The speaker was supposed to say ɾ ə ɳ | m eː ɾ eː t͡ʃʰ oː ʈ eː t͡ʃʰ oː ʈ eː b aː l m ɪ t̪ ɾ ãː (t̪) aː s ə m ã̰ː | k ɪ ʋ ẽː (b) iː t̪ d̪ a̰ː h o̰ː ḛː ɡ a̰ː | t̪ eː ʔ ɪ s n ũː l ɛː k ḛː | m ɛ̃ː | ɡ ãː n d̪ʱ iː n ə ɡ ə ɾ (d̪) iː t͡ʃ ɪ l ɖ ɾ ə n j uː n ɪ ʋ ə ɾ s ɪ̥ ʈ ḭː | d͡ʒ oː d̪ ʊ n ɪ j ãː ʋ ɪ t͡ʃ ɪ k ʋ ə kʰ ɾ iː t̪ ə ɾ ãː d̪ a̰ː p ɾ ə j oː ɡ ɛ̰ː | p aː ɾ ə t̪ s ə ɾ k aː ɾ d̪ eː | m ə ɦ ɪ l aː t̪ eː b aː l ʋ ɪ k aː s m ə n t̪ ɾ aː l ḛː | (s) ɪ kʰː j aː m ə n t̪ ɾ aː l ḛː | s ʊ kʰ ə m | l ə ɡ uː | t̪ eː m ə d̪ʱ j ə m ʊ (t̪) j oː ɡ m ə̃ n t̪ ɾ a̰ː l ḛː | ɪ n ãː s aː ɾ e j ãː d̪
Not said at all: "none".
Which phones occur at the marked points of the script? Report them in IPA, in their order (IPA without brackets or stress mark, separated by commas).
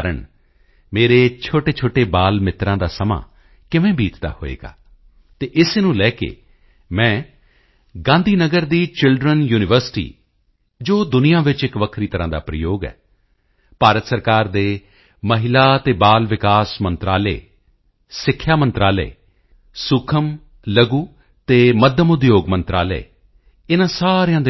d̪, b, d̪, s, d̪